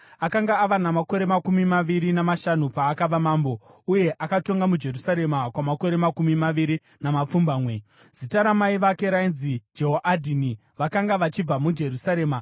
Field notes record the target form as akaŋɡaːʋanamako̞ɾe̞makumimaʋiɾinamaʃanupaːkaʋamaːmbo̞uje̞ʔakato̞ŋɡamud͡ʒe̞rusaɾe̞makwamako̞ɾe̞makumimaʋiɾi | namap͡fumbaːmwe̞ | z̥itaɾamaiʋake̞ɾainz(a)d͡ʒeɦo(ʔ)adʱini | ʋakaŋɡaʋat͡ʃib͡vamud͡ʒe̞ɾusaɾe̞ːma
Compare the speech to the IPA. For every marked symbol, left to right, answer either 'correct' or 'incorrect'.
incorrect: i, correct

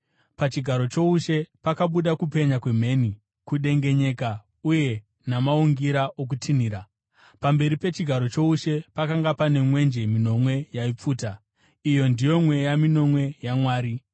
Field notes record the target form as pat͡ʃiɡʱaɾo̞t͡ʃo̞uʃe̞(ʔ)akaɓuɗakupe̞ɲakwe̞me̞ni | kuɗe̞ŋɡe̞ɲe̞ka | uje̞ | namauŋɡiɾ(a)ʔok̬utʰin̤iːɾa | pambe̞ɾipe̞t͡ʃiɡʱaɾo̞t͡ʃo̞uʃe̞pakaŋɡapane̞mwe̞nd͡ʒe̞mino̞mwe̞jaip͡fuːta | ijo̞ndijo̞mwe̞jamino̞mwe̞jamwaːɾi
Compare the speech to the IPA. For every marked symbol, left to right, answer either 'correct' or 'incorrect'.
incorrect: p, correct

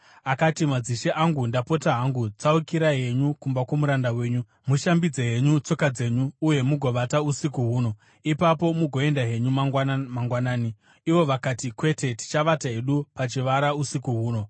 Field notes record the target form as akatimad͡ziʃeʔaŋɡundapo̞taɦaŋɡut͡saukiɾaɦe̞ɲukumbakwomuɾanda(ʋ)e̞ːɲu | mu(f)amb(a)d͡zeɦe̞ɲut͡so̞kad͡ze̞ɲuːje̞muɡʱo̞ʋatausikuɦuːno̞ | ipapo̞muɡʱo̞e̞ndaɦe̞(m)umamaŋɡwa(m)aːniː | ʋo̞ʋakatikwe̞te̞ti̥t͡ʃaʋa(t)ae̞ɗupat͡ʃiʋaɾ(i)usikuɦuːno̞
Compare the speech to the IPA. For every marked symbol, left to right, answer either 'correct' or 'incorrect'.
incorrect: w, incorrect: ʃ, incorrect: i, incorrect: ɲ, incorrect: n, correct, incorrect: a

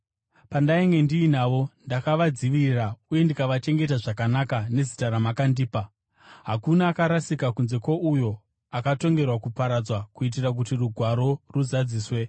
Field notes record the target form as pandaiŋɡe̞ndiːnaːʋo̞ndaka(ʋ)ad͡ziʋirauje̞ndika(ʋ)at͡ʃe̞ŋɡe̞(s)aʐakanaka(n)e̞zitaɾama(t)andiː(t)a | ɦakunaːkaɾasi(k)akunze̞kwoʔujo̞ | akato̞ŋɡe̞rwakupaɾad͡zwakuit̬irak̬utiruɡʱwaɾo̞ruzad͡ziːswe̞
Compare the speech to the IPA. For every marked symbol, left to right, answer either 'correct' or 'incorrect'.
correct, correct, incorrect: t, correct, incorrect: k, incorrect: p, correct

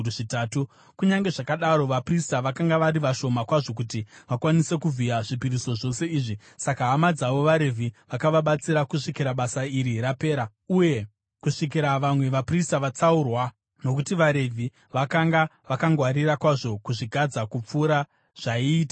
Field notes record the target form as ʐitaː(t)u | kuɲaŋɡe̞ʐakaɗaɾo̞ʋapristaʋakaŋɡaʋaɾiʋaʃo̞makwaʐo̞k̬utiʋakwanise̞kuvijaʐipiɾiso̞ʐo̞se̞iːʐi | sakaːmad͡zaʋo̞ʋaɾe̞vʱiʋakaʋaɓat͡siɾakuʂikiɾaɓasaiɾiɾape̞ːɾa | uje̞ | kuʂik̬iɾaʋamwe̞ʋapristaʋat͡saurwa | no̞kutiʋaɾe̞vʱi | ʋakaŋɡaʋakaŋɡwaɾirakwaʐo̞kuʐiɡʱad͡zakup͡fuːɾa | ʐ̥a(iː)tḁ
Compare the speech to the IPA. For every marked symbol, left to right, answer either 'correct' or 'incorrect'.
correct, correct

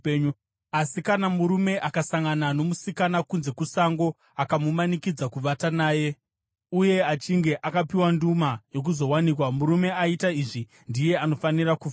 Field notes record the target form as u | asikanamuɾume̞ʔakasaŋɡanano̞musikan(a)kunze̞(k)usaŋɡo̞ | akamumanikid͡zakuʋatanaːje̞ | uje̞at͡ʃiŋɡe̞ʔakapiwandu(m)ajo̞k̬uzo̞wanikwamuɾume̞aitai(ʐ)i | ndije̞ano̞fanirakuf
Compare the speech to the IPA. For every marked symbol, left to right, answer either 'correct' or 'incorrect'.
correct, correct, correct, correct

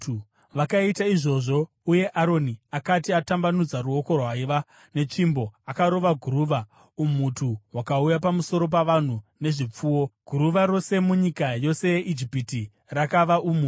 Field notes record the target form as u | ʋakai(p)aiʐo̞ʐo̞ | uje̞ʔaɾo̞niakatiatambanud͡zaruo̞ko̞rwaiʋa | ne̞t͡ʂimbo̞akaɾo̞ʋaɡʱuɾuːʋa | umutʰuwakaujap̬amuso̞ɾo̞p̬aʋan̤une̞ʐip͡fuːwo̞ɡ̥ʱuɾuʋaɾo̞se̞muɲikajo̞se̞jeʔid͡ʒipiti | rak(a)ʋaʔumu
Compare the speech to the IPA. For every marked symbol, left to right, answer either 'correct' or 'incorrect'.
incorrect: t, correct

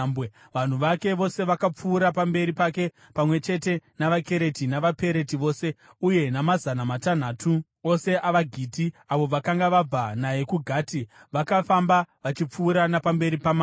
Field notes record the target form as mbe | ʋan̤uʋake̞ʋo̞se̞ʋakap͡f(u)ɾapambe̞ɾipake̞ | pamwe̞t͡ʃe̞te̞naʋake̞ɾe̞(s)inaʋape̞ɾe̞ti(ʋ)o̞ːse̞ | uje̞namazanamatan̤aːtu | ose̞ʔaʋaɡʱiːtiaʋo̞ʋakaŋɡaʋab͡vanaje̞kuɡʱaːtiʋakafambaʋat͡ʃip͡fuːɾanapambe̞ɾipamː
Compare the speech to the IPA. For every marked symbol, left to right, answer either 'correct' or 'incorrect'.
incorrect: uː, incorrect: t, correct

